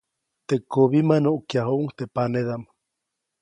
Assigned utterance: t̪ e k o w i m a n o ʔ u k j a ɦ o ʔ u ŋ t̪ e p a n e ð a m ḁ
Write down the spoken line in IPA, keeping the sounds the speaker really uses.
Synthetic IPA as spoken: t̪ e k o β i m a n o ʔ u k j a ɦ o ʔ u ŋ t̪ e p a n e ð a m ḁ

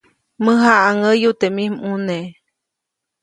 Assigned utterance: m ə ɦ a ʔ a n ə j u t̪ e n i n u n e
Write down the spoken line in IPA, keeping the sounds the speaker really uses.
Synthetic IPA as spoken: m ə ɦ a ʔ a ŋ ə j u t̪ e m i m u n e

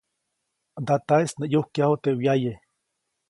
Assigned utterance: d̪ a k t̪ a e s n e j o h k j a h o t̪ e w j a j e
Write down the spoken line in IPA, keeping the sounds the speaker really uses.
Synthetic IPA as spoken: d̪ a t̪ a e s n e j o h k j a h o t̪ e w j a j e

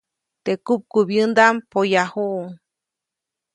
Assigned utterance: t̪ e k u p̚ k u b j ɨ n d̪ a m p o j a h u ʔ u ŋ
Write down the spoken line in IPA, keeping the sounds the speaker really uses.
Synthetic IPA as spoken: t̪ e k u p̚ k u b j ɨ n d̪ a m p o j a h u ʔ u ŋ

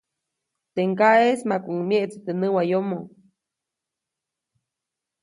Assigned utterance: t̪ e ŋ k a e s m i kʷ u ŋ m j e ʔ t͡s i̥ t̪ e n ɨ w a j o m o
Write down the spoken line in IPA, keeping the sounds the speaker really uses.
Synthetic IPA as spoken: t̪ e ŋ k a e s m a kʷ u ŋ m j e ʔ t͡s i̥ t̪ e n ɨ w a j o m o

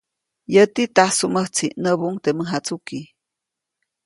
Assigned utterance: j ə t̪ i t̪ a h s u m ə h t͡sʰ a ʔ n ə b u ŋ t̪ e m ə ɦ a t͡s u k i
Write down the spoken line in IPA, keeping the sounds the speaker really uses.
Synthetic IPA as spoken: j ə t̪ i t̪ a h s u m ə h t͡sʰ i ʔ n ə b u ŋ t̪ e m ə ɦ a t͡s u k i

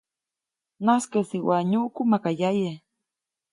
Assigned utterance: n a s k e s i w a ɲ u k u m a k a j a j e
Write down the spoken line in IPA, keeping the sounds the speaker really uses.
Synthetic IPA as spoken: n a s k e s i w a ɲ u k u m a k a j a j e

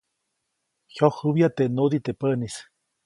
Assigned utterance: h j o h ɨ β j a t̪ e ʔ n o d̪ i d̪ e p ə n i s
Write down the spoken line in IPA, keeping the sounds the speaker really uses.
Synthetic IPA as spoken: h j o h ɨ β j a t̪ e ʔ n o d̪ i t̪ e p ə n i s

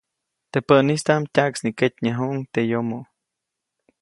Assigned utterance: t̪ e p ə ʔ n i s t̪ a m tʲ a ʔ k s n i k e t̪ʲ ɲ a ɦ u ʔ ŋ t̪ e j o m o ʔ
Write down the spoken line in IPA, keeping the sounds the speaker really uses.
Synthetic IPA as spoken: t̪ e p ə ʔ n i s t̪ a m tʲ a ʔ k s n i k e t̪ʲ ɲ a ɦ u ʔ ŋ t̪ e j o m o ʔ

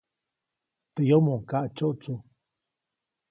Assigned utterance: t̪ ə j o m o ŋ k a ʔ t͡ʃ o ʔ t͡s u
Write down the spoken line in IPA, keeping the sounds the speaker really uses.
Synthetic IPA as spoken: t̪ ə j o m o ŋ k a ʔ t͡ʃ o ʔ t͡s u

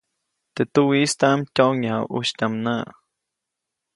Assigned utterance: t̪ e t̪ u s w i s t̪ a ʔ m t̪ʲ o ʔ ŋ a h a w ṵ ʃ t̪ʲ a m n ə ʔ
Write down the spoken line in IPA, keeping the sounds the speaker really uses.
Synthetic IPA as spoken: t̪ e t̪ u w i s t̪ a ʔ m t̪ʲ o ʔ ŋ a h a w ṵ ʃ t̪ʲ a m n a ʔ

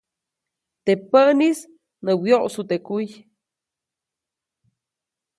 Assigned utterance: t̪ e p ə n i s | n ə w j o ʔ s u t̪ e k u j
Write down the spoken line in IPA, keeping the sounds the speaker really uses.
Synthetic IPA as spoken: t̪ e p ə n i s | n ə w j o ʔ s u t̪ e k u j

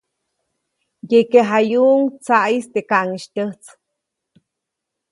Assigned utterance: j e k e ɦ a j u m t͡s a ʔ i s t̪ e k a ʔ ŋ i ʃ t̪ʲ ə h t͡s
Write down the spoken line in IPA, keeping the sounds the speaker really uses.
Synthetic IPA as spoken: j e k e ɦ a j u ŋ t͡s a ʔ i s t̪ e k a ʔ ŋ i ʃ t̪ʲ ə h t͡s

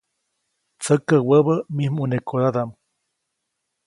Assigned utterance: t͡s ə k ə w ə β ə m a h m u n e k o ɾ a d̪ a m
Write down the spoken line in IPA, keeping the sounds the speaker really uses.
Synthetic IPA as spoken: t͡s ə k ə w ə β ə m i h m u n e k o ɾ a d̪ a m

